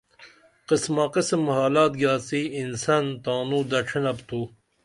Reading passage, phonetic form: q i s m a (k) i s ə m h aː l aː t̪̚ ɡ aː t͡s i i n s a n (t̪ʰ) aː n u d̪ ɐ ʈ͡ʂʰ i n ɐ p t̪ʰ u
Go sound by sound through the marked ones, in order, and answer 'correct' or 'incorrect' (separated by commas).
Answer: incorrect, incorrect